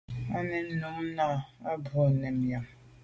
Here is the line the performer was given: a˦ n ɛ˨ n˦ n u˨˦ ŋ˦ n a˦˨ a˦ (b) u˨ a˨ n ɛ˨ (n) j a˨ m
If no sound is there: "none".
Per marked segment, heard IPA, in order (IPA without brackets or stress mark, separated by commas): b, m